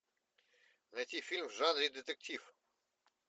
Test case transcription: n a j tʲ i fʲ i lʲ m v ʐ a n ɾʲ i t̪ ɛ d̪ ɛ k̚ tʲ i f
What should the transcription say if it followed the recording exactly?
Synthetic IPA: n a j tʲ i fʲ i lʲ m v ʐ a n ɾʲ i d̪ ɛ t̪ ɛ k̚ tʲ i f